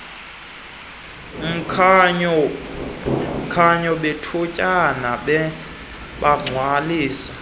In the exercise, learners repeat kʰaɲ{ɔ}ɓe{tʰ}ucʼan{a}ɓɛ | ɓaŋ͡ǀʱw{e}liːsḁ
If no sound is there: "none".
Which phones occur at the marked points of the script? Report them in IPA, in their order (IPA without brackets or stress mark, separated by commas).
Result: ɔ, tʰ, a, a